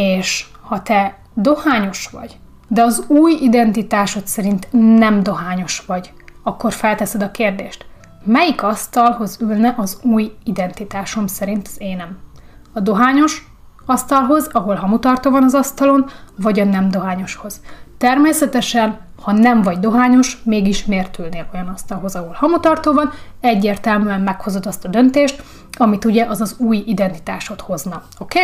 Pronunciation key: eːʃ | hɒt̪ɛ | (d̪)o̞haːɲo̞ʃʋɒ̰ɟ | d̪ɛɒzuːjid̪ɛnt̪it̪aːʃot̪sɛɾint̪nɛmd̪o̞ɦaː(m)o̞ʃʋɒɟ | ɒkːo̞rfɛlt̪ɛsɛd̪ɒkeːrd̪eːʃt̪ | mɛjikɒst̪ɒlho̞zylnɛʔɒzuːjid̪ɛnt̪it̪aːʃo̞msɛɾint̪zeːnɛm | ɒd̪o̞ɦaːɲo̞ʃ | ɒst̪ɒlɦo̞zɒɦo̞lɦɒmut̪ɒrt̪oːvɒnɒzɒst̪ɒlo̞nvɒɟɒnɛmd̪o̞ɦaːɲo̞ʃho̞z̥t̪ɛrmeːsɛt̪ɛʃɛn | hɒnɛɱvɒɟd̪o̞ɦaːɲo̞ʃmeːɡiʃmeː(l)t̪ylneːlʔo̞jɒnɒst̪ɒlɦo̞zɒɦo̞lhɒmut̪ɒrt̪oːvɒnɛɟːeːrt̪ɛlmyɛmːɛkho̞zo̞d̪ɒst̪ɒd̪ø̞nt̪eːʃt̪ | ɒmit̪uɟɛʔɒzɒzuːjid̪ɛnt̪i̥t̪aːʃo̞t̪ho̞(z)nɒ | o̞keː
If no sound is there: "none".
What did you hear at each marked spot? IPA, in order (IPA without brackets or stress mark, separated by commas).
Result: d̪, ɲ, r, z